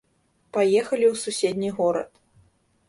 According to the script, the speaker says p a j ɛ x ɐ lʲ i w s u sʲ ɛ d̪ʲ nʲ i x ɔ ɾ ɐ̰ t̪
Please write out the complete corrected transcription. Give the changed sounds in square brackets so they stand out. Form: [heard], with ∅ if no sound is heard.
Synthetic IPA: p a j ɛ x ɐ lʲ i w s u sʲ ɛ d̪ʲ nʲ i [ɣ] ɔ ɾ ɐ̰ t̪